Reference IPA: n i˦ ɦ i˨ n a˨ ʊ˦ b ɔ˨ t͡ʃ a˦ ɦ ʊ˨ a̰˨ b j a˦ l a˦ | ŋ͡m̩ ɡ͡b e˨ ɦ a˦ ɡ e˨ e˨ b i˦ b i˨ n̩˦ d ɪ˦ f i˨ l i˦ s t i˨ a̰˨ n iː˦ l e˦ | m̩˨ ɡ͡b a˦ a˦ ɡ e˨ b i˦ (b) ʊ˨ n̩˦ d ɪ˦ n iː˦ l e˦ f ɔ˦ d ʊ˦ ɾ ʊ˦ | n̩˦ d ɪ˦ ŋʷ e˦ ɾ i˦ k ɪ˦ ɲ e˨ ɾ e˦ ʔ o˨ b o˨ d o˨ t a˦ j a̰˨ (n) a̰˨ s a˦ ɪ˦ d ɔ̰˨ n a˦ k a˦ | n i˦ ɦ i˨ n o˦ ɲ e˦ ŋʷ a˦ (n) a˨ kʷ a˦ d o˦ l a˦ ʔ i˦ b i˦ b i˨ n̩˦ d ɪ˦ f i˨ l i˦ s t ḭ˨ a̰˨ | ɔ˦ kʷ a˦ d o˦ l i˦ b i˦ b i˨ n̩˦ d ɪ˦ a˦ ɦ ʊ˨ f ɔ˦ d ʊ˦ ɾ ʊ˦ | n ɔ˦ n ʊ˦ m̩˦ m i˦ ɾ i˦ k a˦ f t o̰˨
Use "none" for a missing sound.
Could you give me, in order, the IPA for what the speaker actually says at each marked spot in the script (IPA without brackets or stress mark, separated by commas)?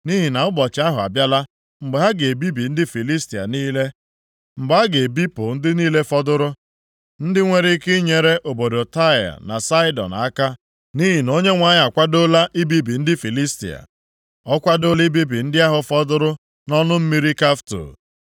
p, n, ɲ